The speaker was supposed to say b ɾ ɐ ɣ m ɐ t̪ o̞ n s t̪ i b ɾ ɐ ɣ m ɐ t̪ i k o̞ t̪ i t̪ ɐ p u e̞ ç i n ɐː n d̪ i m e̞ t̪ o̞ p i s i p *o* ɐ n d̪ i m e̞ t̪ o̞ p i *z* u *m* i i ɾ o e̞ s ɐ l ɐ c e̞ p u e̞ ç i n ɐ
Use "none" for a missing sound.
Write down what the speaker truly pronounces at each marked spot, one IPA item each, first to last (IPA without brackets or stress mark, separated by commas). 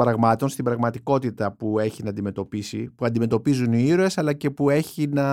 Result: u, z, n